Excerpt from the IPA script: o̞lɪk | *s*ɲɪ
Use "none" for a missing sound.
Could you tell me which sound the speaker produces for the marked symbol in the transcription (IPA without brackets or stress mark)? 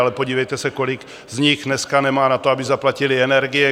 z